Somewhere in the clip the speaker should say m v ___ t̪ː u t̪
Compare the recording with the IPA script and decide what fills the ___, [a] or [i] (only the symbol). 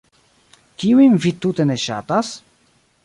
i